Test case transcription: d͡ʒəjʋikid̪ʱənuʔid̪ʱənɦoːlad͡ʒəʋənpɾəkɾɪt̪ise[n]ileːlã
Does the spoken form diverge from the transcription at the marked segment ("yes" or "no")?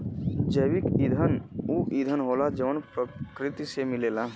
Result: yes